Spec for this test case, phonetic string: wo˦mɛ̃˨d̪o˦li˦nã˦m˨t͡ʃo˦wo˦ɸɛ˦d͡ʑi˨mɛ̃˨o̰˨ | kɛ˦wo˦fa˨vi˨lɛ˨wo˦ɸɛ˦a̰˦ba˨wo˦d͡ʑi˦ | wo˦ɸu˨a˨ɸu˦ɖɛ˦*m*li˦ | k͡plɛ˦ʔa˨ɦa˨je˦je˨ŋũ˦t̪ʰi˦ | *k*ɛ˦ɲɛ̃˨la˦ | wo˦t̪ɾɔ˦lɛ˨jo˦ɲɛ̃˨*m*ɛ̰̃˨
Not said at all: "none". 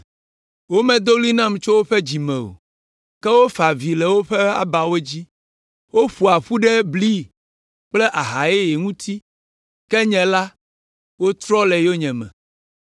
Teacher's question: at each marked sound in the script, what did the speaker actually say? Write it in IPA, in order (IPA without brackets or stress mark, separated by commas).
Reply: b, k, m